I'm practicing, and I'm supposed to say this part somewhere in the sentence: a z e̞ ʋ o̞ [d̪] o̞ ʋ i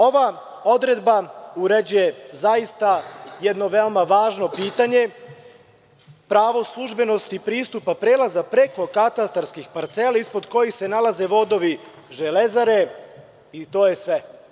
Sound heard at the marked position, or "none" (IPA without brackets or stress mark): d̪